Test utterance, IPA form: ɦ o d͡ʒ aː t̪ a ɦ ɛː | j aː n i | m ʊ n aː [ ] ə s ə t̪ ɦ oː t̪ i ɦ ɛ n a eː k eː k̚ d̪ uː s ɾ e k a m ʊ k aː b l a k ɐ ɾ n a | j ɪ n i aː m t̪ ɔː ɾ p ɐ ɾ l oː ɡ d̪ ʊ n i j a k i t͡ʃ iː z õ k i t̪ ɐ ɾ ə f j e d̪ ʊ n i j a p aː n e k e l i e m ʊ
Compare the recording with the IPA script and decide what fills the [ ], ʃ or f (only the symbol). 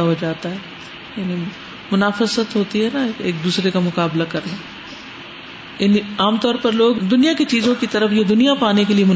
f